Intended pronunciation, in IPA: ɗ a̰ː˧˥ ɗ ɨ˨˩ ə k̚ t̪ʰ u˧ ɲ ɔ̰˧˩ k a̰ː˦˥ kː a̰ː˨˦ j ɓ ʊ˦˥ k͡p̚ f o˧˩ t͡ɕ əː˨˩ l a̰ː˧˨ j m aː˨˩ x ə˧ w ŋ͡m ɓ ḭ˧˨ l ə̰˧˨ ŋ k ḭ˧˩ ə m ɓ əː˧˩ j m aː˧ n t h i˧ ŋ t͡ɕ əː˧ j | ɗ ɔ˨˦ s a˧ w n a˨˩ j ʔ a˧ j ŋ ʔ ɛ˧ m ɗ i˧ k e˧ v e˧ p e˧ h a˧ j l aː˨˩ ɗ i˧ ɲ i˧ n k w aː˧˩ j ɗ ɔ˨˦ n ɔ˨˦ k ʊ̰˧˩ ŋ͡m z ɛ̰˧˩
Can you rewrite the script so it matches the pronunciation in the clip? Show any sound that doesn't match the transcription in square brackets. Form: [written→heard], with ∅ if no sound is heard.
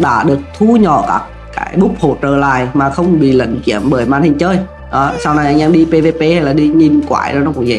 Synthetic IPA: ɗ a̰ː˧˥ ɗ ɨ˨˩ ə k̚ t̪ʰ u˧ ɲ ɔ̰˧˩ k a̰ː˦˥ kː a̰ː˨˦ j ɓ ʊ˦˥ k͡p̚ [f→h] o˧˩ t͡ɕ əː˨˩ l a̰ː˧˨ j m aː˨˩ x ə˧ w ŋ͡m ɓ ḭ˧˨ l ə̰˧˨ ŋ k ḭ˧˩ ə m ɓ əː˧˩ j m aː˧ n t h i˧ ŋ t͡ɕ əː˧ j | ɗ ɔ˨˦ s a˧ w n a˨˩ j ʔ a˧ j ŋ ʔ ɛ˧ m ɗ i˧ [k→p] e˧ v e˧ p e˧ h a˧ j l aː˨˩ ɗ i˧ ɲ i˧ n k w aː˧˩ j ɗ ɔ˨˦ n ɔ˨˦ k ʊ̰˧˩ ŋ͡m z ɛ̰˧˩